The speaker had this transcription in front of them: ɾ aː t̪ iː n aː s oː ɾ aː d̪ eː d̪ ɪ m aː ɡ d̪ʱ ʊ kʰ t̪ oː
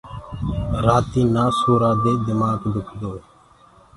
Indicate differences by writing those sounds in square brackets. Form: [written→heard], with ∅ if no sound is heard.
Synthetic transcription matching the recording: ɾ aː t̪ iː n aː s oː ɾ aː d̪ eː d̪ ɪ m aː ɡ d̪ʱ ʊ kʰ [t̪→d̪] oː